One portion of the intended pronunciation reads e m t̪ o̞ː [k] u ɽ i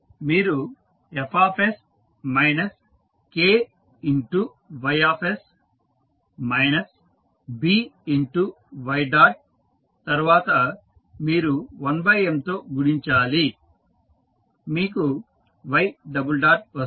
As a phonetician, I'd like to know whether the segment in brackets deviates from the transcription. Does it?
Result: yes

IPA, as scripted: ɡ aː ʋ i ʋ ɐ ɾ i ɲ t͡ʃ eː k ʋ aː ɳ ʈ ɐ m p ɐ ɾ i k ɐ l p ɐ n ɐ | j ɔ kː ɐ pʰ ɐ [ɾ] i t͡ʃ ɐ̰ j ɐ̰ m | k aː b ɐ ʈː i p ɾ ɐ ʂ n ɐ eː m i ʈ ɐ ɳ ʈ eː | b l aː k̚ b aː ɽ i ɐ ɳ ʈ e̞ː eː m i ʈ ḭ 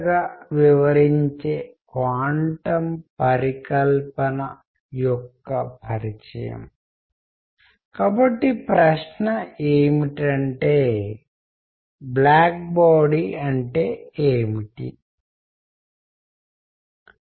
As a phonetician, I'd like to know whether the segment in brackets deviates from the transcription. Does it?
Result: no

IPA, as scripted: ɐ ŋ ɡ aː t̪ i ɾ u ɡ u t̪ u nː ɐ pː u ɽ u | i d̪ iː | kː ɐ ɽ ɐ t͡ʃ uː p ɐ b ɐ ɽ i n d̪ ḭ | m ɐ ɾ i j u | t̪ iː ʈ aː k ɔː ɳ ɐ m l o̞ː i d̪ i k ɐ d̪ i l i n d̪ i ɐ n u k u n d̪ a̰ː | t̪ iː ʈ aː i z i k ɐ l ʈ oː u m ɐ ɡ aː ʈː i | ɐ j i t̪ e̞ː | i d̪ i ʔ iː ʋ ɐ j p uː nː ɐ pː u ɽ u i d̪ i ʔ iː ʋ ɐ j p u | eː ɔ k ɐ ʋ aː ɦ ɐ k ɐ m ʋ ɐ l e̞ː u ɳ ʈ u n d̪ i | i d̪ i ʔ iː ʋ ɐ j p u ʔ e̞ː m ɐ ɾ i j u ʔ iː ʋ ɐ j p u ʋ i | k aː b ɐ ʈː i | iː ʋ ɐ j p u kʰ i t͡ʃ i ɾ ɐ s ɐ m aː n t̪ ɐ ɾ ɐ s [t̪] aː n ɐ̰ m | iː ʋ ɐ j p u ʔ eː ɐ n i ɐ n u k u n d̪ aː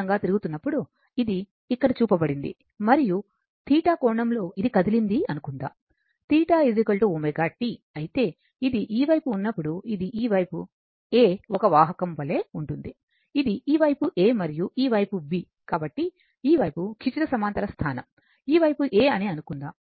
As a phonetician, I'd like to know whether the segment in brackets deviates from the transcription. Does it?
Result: yes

